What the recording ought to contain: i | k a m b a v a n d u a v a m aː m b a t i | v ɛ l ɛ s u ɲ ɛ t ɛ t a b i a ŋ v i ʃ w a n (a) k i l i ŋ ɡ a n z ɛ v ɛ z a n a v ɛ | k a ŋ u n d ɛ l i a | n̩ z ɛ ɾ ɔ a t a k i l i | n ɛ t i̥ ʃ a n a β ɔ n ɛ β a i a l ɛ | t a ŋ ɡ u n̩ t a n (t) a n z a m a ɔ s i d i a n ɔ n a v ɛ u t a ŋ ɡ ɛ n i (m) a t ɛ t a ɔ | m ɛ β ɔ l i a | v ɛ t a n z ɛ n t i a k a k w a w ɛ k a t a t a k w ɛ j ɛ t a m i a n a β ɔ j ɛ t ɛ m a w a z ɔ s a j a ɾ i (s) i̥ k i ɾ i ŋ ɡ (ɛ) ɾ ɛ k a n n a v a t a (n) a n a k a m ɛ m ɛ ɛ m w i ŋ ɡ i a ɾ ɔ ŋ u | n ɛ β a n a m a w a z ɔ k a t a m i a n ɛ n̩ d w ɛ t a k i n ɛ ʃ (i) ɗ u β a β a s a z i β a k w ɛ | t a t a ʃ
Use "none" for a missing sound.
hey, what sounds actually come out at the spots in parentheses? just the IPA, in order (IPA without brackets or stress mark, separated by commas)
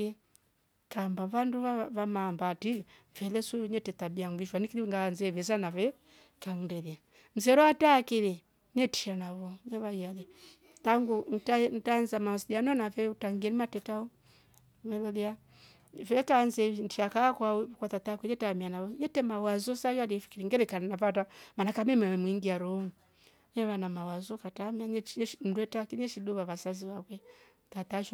i, t, m, f, ɛ, m, i